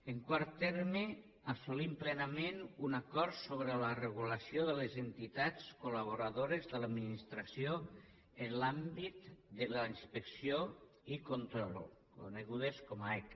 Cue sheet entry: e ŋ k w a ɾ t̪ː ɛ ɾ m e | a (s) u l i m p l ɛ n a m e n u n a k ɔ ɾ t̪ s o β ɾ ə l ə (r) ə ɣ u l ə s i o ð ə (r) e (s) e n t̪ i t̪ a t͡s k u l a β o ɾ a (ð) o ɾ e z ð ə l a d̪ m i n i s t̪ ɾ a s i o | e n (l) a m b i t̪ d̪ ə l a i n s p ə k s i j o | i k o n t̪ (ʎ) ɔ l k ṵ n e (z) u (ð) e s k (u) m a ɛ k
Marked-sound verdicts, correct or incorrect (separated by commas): correct, correct, incorrect, incorrect, correct, correct, incorrect, incorrect, correct, incorrect